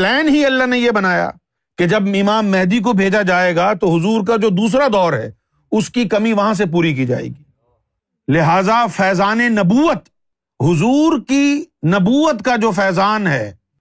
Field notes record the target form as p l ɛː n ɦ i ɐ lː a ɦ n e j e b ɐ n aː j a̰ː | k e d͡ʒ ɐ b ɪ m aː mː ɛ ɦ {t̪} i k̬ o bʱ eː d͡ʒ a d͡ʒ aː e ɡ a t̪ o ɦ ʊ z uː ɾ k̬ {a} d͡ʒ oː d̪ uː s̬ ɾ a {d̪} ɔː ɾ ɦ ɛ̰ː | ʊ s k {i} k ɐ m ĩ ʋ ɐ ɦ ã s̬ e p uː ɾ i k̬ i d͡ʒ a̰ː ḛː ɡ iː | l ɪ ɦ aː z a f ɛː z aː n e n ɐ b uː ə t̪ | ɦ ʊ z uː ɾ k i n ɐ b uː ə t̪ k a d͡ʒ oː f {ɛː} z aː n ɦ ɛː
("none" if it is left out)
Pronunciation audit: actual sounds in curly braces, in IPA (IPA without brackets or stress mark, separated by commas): d̪, a, d̪, i, ɛː